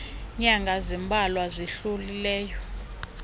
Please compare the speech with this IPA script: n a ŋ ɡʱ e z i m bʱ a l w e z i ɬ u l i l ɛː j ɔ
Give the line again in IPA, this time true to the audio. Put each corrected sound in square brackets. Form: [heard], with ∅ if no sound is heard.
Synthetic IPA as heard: [ɲ] a ŋ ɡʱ [a] z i m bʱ a l w [a] z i ɬ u l i l ɛː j ɔ